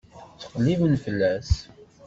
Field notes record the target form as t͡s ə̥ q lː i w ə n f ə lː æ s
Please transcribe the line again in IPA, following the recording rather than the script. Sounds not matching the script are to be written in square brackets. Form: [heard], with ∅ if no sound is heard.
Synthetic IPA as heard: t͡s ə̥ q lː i [v] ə n f ə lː æ s

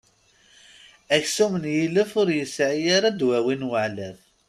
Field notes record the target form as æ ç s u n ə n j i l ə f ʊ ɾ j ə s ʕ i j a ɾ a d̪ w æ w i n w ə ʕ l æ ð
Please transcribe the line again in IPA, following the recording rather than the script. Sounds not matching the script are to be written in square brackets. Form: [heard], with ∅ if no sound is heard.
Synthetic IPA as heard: æ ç s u [m] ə n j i l ə f ʊ ɾ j ə s ʕ i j a ɾ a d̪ w æ w i n w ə ʕ l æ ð

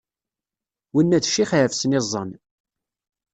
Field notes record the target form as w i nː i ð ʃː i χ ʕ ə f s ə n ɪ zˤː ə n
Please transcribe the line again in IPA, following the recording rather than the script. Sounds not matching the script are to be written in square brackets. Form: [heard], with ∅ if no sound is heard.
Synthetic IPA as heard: w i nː [æ] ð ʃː i χ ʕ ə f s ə n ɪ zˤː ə n

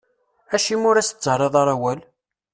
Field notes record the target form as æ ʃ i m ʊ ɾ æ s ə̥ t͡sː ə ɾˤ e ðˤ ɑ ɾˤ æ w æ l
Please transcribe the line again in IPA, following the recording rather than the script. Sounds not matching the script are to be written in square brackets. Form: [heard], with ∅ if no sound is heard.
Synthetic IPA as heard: æ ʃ i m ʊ ɾ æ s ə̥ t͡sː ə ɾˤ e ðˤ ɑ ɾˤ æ w æ l

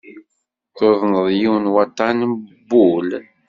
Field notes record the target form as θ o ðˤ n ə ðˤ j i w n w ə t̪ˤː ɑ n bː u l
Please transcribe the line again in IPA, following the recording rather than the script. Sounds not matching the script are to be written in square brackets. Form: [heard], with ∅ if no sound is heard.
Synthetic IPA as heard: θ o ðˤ n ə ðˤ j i w n w [ɑ] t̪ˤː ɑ n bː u l

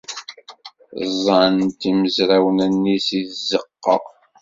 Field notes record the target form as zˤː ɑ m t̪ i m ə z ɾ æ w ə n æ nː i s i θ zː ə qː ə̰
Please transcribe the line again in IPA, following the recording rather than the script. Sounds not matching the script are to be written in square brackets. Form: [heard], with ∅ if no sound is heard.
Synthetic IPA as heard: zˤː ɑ [n] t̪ i m ə z ɾ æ w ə n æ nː i s i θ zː ə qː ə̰

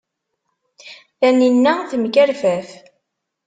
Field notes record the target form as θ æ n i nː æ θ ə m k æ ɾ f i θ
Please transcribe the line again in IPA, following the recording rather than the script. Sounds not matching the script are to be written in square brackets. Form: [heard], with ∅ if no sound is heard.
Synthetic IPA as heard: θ æ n i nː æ θ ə m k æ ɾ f [æ] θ

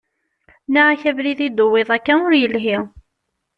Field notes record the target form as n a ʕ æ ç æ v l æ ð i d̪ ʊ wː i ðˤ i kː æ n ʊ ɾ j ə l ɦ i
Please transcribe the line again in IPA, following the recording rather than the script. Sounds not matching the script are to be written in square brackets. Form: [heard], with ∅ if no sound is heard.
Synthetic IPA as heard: n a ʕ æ ç æ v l [i] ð i d̪ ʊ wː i ðˤ [æ] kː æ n ʊ ɾ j ə l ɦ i

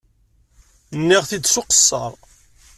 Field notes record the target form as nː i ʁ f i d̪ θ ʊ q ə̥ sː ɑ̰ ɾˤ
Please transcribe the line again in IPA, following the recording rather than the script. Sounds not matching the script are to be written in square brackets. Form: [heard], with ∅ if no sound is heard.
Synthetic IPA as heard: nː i ʁ [θ] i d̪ [s] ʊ q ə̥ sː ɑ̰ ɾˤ

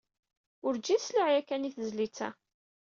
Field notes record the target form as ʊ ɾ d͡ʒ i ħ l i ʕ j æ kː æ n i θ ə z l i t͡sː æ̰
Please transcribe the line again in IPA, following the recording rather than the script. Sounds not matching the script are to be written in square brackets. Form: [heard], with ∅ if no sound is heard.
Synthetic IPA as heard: ʊ ɾ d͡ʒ i [s] l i ʕ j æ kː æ n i θ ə z l i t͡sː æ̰

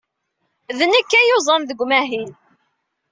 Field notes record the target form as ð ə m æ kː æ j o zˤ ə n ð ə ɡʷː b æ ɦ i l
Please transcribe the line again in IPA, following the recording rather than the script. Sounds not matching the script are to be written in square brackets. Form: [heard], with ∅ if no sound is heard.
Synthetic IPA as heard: ð ə [n] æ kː æ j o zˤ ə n ð ə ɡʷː [m] æ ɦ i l

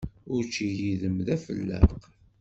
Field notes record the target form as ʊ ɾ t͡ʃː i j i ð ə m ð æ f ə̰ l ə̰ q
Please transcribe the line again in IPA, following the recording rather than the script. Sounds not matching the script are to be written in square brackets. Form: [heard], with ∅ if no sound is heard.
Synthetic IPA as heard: ʊ ɾ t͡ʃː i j i ð ə m ð æ f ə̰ [lː] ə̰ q

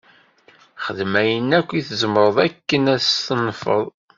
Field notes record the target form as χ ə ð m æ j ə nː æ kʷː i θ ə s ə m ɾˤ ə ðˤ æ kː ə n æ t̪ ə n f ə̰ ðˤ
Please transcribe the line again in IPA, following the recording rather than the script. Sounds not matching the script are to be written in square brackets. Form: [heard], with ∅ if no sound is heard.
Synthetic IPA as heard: χ ə ð m æ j ə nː æ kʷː i θ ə [z] ə m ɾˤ ə ðˤ æ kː ə n æ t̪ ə n f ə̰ ðˤ

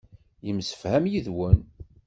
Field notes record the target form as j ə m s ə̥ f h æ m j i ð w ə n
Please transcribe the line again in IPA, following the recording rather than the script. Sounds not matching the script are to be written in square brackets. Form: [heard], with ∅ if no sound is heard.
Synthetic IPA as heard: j ə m s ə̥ f h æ m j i ð w ə n

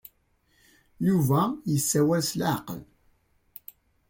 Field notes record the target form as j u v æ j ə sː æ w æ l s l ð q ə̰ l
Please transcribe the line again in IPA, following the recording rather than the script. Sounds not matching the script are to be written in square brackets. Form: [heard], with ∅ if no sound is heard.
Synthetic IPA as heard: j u v æ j ə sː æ w æ l s l [ʕ] q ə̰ l

